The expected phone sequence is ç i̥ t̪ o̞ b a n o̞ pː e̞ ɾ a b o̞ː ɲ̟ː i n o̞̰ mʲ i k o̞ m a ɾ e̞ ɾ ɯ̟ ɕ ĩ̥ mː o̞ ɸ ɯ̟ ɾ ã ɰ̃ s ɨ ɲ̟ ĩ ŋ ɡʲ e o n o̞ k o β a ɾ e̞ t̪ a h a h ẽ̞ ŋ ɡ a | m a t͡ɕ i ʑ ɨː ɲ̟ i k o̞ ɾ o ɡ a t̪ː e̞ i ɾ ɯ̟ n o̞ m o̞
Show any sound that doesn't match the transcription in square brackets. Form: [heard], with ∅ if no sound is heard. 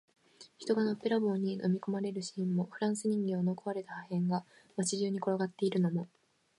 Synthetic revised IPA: ç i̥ t̪ o̞ [ɡ] a n o̞ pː e̞ ɾ a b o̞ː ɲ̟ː i n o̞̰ mʲ i k o̞ m a ɾ e̞ ɾ ɯ̟ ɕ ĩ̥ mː o̞ ɸ ɯ̟ ɾ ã ɰ̃ s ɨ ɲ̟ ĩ ŋ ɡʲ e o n o̞ k o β a ɾ e̞ t̪ a h a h ẽ̞ ŋ ɡ a | m a t͡ɕ i ʑ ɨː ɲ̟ i k o̞ ɾ o ɡ a t̪ː e̞ i ɾ ɯ̟ n o̞ m o̞

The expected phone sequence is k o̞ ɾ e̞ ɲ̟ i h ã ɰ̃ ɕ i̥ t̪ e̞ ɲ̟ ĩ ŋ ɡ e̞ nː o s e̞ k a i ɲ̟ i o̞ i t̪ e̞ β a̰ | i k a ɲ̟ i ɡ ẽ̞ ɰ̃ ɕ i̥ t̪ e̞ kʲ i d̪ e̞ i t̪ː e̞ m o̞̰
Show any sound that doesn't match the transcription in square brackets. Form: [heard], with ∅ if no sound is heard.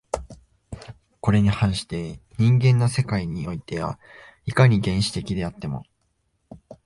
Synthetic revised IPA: k o̞ ɾ e̞ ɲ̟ i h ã ɰ̃ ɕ i̥ t̪ e̞ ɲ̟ ĩ ŋ ɡ [ẽ̞] nː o s e̞ k a i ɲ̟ i o̞ i t̪ e̞ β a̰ | i k a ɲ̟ i ɡ ẽ̞ ɰ̃ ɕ i̥ t̪ e̞ kʲ i d̪ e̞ [a] t̪ː e̞ m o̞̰

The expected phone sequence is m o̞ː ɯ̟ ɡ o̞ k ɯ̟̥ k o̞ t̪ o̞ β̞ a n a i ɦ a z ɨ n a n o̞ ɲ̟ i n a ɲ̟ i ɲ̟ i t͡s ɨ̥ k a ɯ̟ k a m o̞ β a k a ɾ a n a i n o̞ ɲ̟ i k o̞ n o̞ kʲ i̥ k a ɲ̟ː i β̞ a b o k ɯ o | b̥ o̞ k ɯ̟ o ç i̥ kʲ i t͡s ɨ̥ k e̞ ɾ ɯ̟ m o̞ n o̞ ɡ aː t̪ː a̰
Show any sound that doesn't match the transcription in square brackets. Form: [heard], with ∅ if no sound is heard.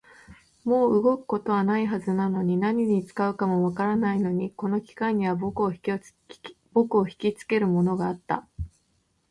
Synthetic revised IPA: m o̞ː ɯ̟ ɡ o̞ k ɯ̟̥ k o̞ t̪ o̞ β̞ a n a i ɦ a z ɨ n a n o̞ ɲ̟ i n a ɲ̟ i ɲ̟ i t͡s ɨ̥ k a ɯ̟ k a m o̞ β a k a ɾ a n a i n o̞ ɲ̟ i k o̞ n o̞ kʲ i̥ k a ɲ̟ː i β̞ a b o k ɯ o | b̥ o̞ k ɯ̟ o ç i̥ kʲ i t͡s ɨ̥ k e̞ ɾ ɯ̟ m o̞ n o̞ ɡ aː t̪ː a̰

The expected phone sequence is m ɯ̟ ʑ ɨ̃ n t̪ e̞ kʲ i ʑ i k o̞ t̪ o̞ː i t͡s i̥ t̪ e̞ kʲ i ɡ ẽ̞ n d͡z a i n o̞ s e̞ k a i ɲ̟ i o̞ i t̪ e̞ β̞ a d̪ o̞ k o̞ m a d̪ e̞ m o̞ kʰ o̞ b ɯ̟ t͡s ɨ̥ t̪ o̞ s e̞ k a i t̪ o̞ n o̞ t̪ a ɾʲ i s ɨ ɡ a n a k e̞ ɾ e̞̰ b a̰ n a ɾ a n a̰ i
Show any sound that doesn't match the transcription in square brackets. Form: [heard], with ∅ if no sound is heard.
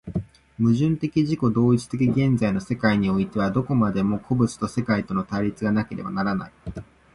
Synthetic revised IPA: m ɯ̟ ʑ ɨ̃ n t̪ e̞ kʲ i ʑ i k o̞ [d̪] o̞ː i t͡s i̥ t̪ e̞ kʲ i ɡ ẽ̞ n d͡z a i n o̞ s e̞ k a i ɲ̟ i o̞ i t̪ e̞ β̞ a d̪ o̞ k o̞ m a d̪ e̞ m o̞ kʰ o̞ b ɯ̟ t͡s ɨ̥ t̪ o̞ s e̞ k a i t̪ o̞ n o̞ t̪ a ɾʲ i [t͡s] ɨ ɡ a n a k e̞ ɾ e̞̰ b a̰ n a ɾ a n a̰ i

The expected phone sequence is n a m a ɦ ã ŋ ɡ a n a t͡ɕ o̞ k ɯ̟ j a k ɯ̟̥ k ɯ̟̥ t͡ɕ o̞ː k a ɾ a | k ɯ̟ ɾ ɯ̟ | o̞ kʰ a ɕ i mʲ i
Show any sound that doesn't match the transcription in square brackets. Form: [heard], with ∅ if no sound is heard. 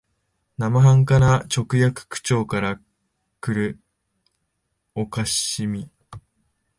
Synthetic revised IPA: n a m a ɦ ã ŋ [k] a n a t͡ɕ o̞ k ɯ̟ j a k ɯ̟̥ k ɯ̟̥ t͡ɕ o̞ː k a ɾ a | k ɯ̟ ɾ ɯ̟ | o̞ [k] a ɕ i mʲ i

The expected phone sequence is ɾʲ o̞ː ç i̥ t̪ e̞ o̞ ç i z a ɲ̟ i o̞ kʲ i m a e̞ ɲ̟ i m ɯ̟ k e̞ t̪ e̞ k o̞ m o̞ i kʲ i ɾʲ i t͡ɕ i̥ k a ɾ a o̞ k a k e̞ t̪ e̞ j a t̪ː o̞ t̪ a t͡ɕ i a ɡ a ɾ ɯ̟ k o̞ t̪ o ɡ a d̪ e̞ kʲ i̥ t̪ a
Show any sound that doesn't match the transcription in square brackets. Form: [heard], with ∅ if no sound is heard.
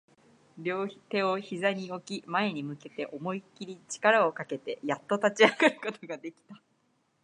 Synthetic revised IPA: ɾʲ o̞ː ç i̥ t̪ e̞ o̞ ç i z a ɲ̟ i o̞ kʲ i m a e̞ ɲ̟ i m ɯ̟ k e̞ t̪ e̞ [ʔ] o̞ m o̞ i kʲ i ɾʲ i t͡ɕ i̥ k a ɾ a o̞ k a k e̞ t̪ e̞ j a t̪ː o̞ t̪ a t͡ɕ i a ɡ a ɾ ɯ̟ k o̞ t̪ o ɡ a d̪ e̞ kʲ i̥ t̪ a

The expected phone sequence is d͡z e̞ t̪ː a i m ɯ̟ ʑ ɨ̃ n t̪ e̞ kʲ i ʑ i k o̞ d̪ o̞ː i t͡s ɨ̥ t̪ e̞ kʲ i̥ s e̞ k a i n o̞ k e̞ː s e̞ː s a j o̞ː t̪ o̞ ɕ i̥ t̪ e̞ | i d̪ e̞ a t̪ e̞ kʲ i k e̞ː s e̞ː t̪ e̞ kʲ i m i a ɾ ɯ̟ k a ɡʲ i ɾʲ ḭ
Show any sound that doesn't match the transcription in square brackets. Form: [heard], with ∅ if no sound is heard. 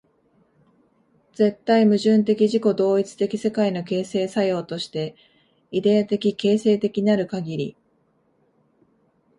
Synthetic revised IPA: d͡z e̞ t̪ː a i m ɯ̟ ʑ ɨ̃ n t̪ e̞ kʲ i ʑ i k o̞ d̪ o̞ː i t͡s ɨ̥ t̪ e̞ kʲ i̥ s e̞ k a i n o̞ k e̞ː s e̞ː s a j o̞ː t̪ o̞ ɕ i̥ t̪ e̞ | i d̪ e̞ a t̪ e̞ kʲ i k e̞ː s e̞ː t̪ e̞ kʲ i [ɲ] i a ɾ ɯ̟ k a ɡʲ i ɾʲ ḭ

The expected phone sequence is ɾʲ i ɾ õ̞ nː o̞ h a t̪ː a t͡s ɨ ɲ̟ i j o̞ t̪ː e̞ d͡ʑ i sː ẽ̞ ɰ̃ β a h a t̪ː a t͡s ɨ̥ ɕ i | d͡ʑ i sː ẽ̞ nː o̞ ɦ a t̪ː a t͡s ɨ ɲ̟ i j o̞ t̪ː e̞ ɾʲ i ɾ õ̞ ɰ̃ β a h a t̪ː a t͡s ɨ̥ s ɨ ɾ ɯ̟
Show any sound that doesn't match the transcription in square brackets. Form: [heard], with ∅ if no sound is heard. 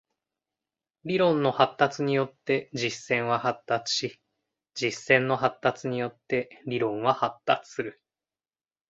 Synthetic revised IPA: ɾʲ i ɾ õ̞ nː o̞ h a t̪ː a t͡s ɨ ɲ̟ i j o̞ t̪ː e̞ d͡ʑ i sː ẽ̞ ɰ̃ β a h a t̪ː a t͡s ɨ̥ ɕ i | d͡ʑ i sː ẽ̞ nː o̞ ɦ a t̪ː a t͡s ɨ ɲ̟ i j o̞ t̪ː e̞ ɾʲ i ɾ õ̞ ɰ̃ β a h a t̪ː a t͡s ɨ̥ s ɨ ɾ ɯ̟

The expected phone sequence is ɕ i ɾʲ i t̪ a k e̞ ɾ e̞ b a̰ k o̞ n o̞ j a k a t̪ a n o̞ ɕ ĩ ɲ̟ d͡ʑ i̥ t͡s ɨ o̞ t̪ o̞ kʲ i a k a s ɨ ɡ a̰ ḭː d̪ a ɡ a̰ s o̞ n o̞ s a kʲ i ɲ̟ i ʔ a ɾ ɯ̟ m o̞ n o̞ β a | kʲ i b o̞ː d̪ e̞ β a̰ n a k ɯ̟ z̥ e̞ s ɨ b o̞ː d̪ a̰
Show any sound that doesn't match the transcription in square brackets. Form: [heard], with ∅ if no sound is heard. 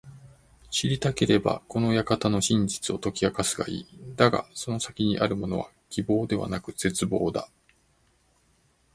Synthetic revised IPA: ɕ i ɾʲ i t̪ a k e̞ ɾ e̞ b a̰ k o̞ n o̞ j a k a t̪ a n o̞ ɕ ĩ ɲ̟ d͡ʑ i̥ t͡s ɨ o̞ t̪ o̞ kʲ i a k a s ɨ ɡ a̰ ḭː d̪ a ɡ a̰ s o̞ n o̞ s a kʲ i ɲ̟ i ʔ a ɾ ɯ̟ m o̞ n o̞ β a | kʲ i b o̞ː d̪ e̞ β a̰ n a k ɯ̟ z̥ e̞ [t͡s] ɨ b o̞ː d̪ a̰

